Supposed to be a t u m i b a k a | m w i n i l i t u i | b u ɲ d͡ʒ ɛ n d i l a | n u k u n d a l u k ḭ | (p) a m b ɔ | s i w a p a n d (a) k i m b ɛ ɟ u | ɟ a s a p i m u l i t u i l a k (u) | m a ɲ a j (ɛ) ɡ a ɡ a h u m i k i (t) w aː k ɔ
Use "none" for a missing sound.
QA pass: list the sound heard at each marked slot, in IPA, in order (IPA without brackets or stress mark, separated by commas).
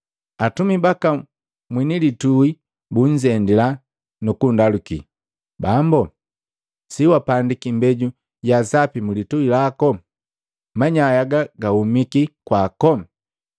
b, i, ɔ, a, k